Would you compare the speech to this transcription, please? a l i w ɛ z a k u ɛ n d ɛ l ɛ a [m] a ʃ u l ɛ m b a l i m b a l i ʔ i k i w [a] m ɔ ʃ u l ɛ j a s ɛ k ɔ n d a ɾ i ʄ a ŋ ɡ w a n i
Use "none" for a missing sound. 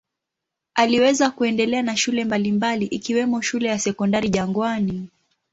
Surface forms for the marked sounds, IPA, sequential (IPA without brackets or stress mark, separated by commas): n, ɛ